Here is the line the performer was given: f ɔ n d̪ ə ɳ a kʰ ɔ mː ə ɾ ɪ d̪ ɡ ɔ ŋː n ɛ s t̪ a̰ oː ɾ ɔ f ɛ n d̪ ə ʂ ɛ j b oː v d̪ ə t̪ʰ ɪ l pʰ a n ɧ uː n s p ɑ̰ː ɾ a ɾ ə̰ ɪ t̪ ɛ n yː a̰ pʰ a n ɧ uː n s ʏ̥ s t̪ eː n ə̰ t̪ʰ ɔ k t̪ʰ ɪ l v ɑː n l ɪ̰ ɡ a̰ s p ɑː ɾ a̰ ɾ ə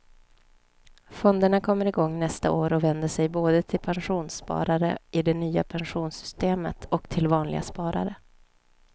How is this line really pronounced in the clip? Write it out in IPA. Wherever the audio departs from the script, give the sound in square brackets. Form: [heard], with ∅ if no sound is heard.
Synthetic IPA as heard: f ɔ n d̪ ə ɳ a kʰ ɔ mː ə ɾ ɪ [∅] ɡ ɔ ŋː n ɛ s t̪ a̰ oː ɾ ɔ [v] ɛ n d̪ ə ʂ ɛ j b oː [∅] d̪ ə t̪ʰ ɪ l pʰ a n ɧ uː n s p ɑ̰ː ɾ a ɾ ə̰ ɪ [d̪] ɛ n yː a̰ pʰ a n ɧ uː n s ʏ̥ s t̪ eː [m] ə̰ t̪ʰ ɔ k t̪ʰ ɪ l v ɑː n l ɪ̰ ɡ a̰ s p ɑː ɾ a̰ ɾ ə

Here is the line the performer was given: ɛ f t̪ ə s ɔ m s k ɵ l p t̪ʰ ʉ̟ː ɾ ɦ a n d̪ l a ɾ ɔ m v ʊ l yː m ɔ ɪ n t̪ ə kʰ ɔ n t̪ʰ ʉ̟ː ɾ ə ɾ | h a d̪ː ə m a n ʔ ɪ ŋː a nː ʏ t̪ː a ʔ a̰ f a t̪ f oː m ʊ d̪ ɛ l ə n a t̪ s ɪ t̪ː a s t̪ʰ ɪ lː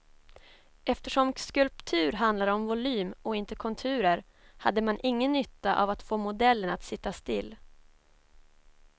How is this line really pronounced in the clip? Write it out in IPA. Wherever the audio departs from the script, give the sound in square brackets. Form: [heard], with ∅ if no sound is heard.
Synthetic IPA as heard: ɛ f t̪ ə [ʂ] ɔ m s k ɵ l p t̪ʰ ʉ̟ː ɾ ɦ a n d̪ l a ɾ ɔ m v ʊ l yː m ɔ ɪ n t̪ ə kʰ ɔ n t̪ʰ ʉ̟ː ɾ ə ɾ | h a d̪ː ə m a n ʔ ɪ ŋː [ə] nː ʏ t̪ː a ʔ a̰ [v] a t̪ f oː m ʊ d̪ ɛ [lː] ə n a t̪ s ɪ t̪ː a s [t̪] ɪ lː

